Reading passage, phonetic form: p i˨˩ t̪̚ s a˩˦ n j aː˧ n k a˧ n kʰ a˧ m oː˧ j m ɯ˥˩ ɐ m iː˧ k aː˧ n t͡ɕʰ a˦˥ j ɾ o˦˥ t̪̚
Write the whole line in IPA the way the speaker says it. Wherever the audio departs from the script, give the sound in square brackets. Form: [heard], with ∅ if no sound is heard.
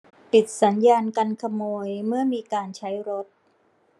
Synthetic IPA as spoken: p i˨˩ t̪̚ s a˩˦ n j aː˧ n k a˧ n kʰ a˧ m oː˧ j m ɯ˥˩ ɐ m iː˧ k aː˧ n t͡ɕʰ a˦˥ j ɾ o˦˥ t̪̚